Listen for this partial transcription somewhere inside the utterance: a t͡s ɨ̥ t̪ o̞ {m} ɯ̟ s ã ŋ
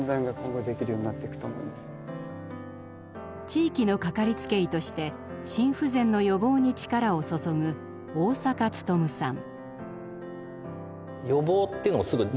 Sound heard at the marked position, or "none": m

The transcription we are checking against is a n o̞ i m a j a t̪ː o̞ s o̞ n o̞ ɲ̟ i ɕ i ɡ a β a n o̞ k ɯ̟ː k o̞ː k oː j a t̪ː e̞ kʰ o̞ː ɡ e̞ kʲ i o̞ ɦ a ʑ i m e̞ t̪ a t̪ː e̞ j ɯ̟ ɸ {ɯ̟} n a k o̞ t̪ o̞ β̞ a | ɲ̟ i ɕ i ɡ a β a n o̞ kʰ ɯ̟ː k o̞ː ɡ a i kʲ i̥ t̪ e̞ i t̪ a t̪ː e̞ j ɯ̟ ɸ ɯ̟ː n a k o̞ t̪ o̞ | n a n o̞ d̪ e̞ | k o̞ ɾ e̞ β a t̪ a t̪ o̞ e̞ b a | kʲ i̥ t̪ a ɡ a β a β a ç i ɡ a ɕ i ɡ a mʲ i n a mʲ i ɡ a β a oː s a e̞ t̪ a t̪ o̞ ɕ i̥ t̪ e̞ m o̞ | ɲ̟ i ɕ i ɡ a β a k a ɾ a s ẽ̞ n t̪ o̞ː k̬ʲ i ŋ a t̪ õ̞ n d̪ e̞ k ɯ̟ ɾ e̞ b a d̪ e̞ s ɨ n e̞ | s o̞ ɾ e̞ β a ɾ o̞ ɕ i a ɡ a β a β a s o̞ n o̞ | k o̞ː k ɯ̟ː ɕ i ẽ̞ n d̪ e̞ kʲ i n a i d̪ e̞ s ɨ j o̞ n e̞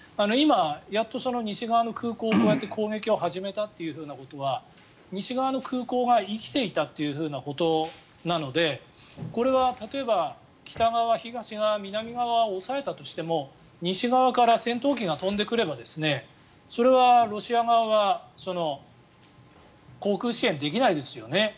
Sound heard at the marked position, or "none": ɯ̟ː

